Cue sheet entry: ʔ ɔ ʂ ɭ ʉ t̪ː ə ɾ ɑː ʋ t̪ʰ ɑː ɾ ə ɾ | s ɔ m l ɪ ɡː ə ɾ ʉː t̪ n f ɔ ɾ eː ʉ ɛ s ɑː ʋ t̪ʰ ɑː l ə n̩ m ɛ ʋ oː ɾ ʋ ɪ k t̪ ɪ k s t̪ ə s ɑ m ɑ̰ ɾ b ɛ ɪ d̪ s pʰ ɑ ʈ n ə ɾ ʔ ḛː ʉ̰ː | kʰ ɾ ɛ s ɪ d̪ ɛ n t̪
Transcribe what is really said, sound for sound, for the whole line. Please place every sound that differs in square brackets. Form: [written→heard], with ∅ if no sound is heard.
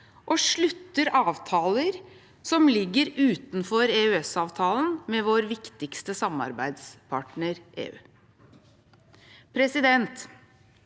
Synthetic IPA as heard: ʔ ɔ ʂ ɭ ʉ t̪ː ə ɾ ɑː ʋ t̪ʰ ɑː [ɾ→l] ə ɾ | s ɔ m l ɪ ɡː ə ɾ ʉː t̪ n f ɔ ɾ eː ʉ ɛ s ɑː ʋ t̪ʰ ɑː l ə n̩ m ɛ ʋ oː ɾ ʋ ɪ k t̪ ɪ k s t̪ ə s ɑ m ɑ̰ ɾ b [ɛ→æ] ɪ d̪ s pʰ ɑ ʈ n ə ɾ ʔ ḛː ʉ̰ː | [kʰ→pʰ] ɾ ɛ s ɪ d̪ ɛ n t̪